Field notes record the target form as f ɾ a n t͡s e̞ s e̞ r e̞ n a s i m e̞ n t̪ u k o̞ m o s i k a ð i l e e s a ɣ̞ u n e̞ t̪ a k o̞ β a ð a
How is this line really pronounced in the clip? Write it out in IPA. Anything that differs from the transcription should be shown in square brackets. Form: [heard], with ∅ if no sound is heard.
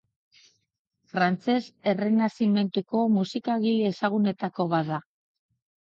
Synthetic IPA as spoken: f ɾ a n t͡s e̞ s e̞ r e̞ n a s i m e̞ n t̪ u k o̞ m [u] s i k a [ɣ] i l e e s a ɣ̞ u n e̞ t̪ a k o̞ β a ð a